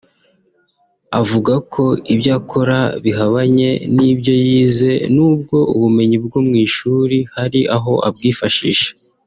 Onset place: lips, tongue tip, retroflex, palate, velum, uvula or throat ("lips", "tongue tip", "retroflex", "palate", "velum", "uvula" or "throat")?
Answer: lips